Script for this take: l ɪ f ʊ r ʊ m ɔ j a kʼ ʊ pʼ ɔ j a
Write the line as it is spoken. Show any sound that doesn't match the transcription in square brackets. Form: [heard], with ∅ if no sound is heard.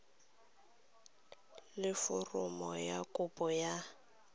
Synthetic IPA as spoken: l ɪ f ʊ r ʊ m ɔ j a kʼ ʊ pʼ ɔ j a